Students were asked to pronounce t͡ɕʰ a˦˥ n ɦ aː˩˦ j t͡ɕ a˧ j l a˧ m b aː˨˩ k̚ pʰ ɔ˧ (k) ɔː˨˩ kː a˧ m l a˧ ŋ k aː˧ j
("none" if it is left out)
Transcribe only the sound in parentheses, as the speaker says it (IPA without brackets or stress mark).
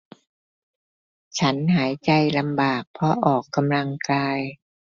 ʔ